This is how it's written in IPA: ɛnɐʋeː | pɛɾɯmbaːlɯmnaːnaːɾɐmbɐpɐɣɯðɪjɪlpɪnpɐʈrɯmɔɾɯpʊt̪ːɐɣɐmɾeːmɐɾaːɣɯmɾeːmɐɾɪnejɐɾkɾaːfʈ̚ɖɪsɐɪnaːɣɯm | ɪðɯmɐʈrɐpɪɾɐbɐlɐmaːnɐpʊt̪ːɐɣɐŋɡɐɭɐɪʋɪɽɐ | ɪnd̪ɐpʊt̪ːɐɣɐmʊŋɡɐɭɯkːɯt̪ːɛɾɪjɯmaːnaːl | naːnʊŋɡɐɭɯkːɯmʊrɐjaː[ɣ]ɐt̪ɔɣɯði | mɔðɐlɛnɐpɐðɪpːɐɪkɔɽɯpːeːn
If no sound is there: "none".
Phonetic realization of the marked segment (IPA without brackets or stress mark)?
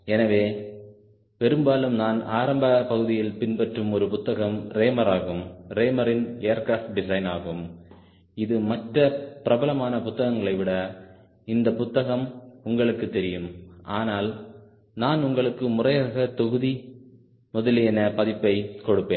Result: ɣ